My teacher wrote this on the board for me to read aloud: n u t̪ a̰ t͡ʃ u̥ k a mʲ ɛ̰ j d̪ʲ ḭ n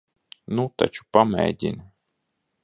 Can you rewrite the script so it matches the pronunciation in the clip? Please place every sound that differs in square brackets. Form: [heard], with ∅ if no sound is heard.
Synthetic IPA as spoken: n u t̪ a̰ t͡ʃ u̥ [p] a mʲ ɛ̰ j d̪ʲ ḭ n